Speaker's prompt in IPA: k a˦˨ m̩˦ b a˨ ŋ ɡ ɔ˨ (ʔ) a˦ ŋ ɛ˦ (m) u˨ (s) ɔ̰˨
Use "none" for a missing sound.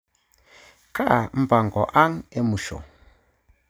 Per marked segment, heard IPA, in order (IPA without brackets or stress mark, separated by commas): ʔ, m, ʃ